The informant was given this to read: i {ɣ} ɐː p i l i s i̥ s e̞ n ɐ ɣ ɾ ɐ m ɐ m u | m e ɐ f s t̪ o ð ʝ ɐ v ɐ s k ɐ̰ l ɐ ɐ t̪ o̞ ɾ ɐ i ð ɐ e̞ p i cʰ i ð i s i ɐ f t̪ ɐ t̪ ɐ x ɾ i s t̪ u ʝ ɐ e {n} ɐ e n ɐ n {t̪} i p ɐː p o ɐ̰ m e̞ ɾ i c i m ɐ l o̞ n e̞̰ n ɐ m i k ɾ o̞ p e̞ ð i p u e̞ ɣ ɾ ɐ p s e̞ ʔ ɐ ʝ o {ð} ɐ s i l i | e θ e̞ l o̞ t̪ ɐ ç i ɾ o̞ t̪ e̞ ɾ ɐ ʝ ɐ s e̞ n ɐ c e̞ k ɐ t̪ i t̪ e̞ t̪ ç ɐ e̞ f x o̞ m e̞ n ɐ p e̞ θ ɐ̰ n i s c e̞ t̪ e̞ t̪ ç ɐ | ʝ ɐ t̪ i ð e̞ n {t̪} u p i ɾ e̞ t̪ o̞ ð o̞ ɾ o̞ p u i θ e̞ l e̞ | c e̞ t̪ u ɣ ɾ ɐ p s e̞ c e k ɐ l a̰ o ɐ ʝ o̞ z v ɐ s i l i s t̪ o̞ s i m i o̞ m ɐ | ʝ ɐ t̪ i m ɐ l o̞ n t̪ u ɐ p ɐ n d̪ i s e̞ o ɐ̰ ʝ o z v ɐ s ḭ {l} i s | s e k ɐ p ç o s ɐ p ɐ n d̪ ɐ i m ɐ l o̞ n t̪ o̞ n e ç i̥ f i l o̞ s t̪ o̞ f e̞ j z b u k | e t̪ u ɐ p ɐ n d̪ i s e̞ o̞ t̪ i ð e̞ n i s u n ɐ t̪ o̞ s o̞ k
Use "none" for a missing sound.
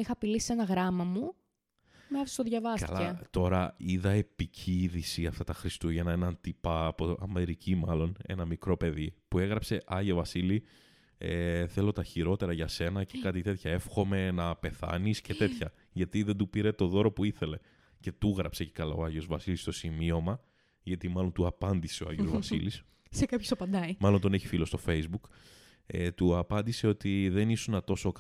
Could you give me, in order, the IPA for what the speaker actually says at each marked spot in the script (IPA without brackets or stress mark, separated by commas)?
x, n, t̪, v, d̪, l